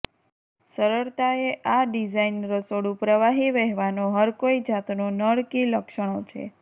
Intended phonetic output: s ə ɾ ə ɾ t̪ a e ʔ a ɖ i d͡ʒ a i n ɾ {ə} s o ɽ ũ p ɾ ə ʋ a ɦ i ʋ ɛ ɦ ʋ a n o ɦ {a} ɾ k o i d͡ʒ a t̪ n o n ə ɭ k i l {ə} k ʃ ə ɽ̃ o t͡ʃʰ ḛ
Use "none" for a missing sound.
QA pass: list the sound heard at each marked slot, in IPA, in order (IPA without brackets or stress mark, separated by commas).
ə, ə, ə